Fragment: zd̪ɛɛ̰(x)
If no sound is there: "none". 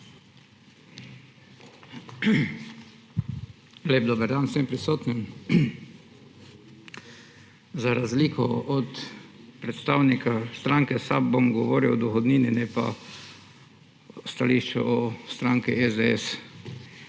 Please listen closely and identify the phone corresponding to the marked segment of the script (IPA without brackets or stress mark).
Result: s